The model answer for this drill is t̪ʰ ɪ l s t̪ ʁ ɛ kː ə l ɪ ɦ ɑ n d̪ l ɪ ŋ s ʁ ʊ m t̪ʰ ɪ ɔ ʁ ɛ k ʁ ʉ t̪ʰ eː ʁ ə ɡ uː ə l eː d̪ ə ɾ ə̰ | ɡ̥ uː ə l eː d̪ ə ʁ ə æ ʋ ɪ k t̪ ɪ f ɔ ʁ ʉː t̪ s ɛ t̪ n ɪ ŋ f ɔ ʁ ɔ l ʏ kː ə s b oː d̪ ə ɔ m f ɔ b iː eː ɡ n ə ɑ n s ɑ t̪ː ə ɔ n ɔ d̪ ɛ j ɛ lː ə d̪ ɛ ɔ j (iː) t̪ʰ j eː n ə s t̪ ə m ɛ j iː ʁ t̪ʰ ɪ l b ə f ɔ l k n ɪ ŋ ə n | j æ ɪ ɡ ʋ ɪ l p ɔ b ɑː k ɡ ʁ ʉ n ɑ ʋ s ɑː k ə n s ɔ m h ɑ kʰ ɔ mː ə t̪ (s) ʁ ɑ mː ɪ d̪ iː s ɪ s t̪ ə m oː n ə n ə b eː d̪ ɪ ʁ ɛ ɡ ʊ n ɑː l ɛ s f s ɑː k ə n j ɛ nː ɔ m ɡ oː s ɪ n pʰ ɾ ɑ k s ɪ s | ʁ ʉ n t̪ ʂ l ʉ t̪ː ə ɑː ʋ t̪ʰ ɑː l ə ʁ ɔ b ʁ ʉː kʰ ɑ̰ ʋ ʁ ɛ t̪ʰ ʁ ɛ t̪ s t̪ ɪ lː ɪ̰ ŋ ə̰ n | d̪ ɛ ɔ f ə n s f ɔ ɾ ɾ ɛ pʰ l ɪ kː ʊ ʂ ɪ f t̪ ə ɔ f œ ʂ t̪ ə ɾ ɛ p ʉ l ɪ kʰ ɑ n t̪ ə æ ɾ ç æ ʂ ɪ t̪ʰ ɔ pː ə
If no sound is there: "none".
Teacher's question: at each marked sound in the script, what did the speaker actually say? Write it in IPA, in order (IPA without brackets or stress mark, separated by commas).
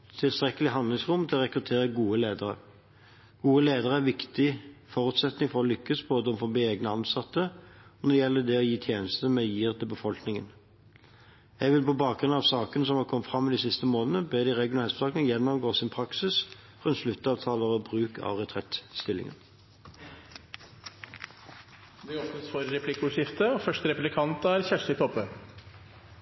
iː, f